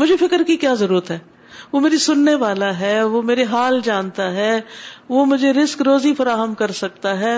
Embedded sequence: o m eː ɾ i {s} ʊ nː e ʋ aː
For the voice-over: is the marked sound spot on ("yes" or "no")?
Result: yes